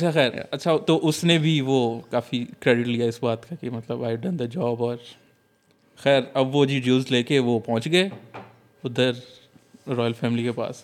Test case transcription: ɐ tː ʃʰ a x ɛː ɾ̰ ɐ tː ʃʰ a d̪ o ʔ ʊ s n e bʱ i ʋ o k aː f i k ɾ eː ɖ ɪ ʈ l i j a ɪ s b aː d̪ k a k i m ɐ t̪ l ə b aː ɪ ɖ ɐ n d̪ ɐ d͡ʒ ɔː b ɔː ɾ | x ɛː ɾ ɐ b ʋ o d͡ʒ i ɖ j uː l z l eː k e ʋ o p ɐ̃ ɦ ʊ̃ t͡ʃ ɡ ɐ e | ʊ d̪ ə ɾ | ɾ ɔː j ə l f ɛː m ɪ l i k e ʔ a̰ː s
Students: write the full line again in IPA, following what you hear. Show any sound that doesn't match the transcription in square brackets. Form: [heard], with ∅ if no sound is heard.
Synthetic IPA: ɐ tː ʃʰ a x ɛː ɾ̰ ɐ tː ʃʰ a [t̪] o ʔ ʊ s n e bʱ i ʋ o k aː f i k ɾ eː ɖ ɪ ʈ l i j a ɪ s b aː [t̪] k a k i m ɐ t̪ l ə b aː ɪ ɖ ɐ n d̪ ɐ d͡ʒ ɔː b ɔː ɾ | x ɛː ɾ ɐ b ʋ o d͡ʒ i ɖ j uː l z l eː k e ʋ o p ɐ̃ ɦ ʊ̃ t͡ʃ ɡ ɐ e | ʊ d̪ ə ɾ | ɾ ɔː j ə l f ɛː m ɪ l i k e [p] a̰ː s